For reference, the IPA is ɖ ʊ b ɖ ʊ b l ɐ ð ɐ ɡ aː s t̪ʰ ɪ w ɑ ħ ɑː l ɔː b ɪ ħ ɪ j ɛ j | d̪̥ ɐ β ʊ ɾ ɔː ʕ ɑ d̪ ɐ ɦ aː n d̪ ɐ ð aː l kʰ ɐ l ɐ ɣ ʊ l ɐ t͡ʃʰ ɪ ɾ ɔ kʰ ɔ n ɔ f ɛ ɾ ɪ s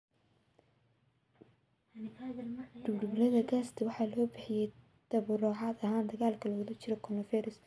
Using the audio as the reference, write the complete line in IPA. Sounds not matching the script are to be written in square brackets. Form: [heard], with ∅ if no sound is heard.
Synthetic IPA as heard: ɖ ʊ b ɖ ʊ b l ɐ ð ɐ ɡ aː s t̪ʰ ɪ w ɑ ħ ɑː l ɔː b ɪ ħ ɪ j ɛ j | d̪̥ ɐ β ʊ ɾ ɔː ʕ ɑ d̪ ɐ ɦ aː n d̪ ɐ [ɣ] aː l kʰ ɐ l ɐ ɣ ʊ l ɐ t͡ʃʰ ɪ ɾ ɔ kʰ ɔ n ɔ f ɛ ɾ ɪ s